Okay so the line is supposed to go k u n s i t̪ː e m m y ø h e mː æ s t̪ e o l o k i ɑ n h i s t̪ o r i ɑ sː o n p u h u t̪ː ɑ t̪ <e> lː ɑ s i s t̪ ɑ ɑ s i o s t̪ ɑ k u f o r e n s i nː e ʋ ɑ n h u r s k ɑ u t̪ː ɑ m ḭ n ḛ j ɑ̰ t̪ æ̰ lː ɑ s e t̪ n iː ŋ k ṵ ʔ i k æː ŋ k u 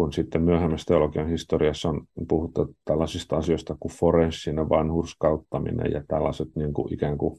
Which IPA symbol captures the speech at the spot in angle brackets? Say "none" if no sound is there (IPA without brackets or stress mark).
æ